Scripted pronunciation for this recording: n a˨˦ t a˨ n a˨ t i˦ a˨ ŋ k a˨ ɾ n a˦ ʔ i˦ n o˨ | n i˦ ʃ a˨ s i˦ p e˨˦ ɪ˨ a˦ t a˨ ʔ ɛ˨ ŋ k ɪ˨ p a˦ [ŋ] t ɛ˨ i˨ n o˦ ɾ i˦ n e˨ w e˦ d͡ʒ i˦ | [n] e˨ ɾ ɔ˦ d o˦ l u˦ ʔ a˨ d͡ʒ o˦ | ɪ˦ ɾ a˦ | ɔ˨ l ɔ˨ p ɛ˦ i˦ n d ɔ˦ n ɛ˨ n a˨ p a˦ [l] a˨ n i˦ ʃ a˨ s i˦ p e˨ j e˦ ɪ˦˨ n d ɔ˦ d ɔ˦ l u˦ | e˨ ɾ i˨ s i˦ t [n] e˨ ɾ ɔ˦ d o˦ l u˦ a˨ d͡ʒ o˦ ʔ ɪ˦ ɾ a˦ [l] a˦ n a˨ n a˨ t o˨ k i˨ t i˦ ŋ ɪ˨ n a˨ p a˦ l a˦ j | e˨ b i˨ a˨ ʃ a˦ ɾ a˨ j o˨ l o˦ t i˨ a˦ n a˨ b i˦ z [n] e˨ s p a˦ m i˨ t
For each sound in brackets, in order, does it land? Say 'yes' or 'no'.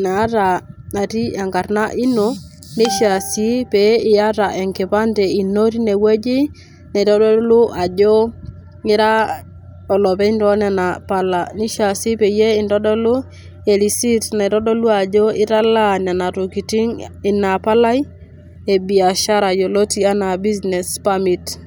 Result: no, yes, yes, yes, yes, yes

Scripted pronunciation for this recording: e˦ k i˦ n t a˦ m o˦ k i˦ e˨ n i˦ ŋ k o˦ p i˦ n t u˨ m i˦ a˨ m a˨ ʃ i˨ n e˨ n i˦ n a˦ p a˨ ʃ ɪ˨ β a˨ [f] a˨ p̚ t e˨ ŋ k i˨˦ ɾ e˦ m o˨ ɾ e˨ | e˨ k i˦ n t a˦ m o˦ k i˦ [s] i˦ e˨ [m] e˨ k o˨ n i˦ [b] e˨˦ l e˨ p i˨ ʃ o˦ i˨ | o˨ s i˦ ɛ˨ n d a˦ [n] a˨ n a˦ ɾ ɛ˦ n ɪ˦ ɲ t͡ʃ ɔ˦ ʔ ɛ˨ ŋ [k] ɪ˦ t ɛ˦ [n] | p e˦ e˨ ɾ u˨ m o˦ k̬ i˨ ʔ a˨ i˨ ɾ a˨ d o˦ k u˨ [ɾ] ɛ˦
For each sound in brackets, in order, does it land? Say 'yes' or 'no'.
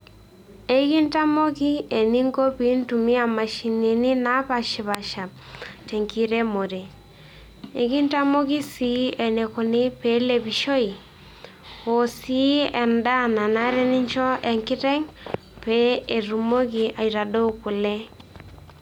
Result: no, yes, no, no, yes, yes, no, no

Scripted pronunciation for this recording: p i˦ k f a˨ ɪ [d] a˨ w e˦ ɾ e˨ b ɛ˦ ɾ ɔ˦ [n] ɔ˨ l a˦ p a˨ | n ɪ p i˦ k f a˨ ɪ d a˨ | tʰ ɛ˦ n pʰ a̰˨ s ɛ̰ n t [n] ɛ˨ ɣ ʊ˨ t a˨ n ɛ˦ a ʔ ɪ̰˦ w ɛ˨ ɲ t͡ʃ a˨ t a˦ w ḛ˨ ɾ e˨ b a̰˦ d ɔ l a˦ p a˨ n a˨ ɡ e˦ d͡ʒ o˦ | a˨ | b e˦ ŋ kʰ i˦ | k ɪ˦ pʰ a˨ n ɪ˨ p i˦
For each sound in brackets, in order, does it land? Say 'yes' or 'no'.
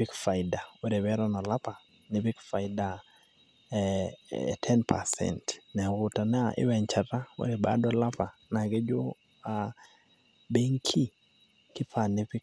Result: yes, yes, yes

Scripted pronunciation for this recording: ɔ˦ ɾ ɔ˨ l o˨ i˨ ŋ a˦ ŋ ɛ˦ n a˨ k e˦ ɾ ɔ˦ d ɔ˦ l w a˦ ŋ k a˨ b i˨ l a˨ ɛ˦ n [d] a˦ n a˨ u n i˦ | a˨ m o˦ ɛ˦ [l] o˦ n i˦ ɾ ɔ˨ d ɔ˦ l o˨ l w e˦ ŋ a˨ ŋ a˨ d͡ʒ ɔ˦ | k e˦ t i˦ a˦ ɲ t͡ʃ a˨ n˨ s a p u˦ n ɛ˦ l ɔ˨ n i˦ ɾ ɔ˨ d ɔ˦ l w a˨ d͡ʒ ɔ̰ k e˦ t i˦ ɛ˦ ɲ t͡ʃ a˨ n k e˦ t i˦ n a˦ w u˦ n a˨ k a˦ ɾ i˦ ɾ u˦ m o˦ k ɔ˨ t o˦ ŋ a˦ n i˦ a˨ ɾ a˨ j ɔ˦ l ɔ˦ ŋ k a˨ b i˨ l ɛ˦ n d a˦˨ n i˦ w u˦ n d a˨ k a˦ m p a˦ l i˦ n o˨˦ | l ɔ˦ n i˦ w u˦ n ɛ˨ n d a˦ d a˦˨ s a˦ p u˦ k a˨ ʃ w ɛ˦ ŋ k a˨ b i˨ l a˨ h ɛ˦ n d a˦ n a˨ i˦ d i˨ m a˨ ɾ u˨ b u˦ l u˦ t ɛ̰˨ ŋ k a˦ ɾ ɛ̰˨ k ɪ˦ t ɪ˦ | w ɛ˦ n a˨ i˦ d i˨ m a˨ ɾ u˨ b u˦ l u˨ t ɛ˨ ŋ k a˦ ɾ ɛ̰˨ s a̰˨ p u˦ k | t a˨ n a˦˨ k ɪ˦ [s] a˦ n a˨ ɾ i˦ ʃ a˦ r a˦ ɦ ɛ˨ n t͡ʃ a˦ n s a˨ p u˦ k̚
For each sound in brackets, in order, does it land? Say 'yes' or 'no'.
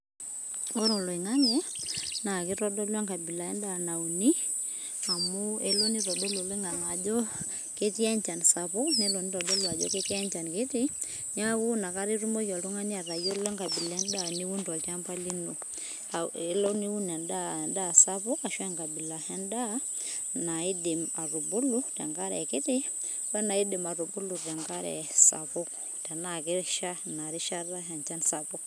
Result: yes, yes, no

